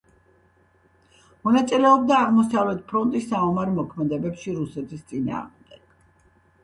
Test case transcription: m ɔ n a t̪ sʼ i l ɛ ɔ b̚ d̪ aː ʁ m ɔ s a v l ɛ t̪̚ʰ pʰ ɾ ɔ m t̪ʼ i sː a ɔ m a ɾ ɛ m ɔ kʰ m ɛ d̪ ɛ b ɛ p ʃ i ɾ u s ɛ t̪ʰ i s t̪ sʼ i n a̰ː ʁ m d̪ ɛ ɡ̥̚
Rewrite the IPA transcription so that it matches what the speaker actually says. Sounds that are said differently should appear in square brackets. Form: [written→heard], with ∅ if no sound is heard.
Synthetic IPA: m ɔ n a t̪ sʼ i l ɛ ɔ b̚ d̪ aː ʁ m ɔ s a v l ɛ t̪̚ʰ pʰ ɾ ɔ [m→n] t̪ʼ i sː a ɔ m a ɾ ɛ m ɔ kʰ m ɛ d̪ ɛ b ɛ p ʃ i ɾ u s ɛ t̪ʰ i s t̪ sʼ i n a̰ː ʁ m d̪ ɛ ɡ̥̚